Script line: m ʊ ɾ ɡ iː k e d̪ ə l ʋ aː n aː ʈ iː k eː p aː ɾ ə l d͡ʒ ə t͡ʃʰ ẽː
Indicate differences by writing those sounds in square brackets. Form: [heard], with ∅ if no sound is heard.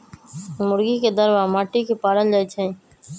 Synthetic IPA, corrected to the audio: m ʊ ɾ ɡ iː k e d̪ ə [ɾ] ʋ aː [m] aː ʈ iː k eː p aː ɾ ə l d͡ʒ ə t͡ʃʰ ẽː